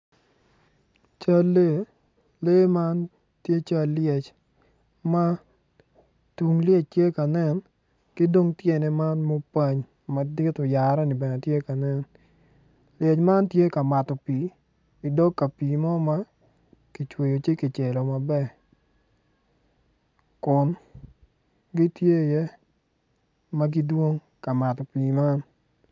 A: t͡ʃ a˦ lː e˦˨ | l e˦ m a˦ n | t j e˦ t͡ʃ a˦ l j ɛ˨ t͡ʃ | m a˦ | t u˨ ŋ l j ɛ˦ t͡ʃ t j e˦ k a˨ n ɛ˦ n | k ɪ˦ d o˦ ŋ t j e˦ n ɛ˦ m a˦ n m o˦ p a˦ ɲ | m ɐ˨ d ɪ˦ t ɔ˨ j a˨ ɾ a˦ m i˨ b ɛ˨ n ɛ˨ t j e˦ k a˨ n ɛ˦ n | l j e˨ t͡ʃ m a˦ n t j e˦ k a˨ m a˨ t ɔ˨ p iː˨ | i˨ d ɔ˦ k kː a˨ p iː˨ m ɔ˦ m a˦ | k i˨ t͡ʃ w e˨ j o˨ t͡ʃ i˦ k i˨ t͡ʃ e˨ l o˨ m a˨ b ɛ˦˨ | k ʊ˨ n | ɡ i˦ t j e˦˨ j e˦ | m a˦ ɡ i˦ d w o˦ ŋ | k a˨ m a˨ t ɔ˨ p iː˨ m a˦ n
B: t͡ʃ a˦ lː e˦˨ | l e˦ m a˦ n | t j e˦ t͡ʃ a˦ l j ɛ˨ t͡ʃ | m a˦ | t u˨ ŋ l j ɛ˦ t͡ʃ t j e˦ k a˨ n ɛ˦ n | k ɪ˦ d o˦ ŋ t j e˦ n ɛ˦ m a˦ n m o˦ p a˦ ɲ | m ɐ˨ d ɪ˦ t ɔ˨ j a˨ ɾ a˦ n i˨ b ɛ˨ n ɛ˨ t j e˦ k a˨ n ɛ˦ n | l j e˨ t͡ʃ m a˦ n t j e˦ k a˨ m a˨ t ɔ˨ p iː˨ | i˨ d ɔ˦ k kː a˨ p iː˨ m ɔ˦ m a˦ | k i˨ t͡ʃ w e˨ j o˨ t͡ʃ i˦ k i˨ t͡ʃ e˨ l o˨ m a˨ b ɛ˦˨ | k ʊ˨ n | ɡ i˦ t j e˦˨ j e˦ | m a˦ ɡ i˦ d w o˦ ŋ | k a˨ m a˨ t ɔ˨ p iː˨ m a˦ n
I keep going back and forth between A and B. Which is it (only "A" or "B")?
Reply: B